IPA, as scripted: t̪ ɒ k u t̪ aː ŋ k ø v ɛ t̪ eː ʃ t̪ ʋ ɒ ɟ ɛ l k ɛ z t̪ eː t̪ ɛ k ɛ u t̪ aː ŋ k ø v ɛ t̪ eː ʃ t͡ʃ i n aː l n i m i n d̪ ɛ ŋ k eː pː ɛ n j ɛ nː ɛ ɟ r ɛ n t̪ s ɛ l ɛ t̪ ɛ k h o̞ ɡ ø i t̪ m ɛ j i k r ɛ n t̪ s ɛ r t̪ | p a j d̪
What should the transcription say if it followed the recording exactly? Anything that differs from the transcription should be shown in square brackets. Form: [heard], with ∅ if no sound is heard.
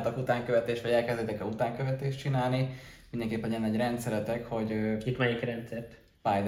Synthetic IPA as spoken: t̪ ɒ k u t̪ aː ŋ k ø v ɛ t̪ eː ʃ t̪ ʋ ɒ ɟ ɛ l k ɛ z [d̪] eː t̪ ɛ k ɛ u t̪ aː ŋ k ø v ɛ t̪ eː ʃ t͡ʃ i n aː l n i m i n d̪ ɛ ŋ k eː pː ɛ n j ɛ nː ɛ ɟ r ɛ n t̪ s ɛ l ɛ t̪ ɛ k h o̞ [ɟ] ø i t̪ m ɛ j i k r ɛ n t̪ s ɛ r t̪ | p a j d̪